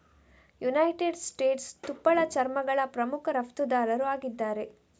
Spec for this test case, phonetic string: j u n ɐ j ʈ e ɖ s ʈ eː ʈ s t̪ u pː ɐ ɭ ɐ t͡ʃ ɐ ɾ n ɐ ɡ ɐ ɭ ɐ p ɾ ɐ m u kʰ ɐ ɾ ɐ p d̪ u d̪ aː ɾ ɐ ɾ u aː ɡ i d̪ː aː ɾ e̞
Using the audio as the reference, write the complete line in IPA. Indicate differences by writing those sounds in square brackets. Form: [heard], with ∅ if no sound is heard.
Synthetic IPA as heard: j u n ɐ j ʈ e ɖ s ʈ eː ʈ s t̪ u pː ɐ ɭ ɐ t͡ʃ ɐ ɾ [m] ɐ ɡ ɐ ɭ ɐ p ɾ ɐ m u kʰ ɐ ɾ ɐ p [t̪] u d̪ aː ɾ ɐ ɾ u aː ɡ i d̪ː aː ɾ e̞